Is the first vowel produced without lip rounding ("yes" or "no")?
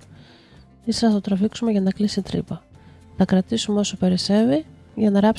yes